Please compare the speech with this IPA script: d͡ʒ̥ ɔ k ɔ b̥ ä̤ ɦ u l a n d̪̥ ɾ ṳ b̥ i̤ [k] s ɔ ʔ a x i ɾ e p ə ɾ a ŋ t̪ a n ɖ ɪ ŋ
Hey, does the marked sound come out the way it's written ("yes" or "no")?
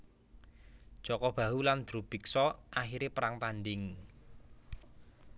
yes